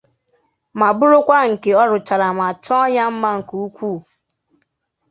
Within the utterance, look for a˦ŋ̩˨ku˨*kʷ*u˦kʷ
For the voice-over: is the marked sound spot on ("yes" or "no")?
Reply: no